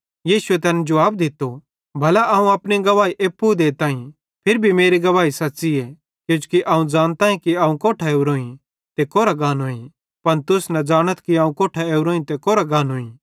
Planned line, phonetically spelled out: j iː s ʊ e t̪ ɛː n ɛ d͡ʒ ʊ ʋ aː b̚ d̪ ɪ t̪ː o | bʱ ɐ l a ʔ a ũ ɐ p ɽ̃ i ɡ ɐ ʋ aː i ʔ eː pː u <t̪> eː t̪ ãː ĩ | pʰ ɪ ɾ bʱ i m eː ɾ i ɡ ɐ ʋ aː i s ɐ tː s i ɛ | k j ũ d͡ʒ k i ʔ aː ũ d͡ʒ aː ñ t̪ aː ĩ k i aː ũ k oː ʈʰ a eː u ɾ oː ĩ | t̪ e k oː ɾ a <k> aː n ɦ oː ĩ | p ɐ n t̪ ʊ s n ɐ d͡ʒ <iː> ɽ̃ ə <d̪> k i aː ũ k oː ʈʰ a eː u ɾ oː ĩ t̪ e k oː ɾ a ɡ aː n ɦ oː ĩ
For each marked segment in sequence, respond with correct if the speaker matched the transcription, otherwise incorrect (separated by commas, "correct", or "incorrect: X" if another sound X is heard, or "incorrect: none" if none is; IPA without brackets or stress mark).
incorrect: d̪, incorrect: ɡ, incorrect: aː, incorrect: t̪